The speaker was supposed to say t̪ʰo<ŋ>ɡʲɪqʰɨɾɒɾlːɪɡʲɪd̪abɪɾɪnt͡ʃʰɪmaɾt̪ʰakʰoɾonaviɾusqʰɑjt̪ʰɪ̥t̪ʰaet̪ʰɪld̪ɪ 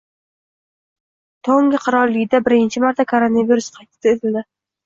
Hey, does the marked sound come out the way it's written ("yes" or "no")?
yes